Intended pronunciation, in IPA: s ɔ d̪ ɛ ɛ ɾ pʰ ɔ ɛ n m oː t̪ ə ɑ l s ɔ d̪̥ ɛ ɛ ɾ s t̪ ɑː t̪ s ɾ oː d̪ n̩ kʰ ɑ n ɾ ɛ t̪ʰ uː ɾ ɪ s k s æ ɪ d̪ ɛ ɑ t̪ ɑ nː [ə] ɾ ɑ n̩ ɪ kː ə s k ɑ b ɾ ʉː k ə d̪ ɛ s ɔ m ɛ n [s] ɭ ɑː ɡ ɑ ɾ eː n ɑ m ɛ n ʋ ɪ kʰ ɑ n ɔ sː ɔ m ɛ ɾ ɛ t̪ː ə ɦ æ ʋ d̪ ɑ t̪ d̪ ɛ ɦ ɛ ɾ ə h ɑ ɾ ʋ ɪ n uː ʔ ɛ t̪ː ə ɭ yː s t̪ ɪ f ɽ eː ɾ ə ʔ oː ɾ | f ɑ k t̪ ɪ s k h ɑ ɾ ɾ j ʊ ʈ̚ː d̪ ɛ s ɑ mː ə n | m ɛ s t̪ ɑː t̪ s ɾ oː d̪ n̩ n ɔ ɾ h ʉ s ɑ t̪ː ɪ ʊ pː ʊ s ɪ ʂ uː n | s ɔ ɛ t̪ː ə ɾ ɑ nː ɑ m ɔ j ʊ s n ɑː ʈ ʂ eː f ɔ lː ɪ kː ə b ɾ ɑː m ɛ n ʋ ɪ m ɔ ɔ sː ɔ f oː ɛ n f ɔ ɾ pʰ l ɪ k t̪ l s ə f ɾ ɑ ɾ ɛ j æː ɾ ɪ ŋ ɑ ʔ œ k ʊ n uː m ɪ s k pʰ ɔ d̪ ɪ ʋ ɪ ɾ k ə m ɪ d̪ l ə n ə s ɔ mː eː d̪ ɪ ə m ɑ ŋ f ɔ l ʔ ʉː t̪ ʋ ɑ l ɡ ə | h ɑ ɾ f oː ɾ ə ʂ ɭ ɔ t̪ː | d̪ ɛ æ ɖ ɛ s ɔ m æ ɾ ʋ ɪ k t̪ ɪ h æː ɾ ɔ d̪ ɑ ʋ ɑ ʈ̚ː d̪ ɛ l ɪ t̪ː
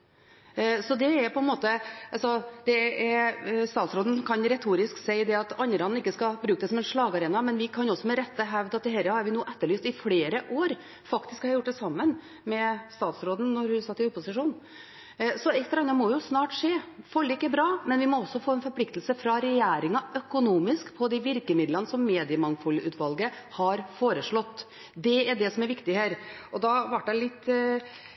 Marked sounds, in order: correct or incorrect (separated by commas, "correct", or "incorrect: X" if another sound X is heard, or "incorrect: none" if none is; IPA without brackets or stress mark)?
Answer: correct, incorrect: ʂ